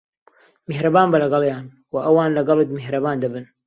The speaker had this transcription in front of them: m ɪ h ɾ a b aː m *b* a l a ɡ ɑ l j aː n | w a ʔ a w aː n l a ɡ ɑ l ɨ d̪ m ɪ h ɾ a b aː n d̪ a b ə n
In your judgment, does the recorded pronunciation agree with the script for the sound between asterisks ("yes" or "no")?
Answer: yes